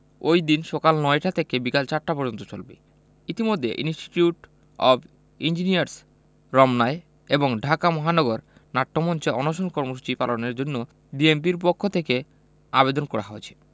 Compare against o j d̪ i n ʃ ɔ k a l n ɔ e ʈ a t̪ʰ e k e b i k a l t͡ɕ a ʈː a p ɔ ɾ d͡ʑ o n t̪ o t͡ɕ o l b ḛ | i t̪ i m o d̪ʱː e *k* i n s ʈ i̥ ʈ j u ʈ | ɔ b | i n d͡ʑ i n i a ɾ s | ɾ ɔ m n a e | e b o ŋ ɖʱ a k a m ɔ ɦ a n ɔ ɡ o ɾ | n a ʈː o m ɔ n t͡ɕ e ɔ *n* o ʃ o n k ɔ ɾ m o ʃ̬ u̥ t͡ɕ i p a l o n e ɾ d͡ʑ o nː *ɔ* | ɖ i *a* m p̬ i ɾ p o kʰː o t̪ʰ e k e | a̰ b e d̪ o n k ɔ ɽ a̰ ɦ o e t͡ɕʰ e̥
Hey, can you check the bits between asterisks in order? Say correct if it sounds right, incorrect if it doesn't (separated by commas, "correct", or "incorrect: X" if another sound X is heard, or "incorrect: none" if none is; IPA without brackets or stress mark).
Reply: incorrect: ʔ, correct, incorrect: o, incorrect: e